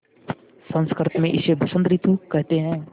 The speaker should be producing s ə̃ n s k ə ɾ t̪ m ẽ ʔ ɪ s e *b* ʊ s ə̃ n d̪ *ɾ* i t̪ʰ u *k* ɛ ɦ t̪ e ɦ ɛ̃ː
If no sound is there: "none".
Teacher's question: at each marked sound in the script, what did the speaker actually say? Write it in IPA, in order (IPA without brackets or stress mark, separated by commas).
b, ɾ, k